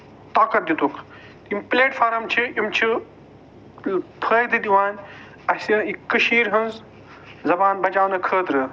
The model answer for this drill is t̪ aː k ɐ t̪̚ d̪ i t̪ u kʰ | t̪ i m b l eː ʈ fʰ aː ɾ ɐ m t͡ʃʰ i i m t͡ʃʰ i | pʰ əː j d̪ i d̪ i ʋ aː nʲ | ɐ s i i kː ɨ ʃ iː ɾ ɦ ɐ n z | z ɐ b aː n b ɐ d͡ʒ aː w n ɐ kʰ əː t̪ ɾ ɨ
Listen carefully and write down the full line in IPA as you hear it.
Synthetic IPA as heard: t̪ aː k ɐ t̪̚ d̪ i t̪ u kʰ | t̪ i m p l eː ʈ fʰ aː ɾ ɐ m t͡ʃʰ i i m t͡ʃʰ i | pʰ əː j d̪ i d̪ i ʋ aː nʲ | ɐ s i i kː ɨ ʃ iː ɾ ɦ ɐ n z | z ɐ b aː n b ɐ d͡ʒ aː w n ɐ kʰ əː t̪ ɾ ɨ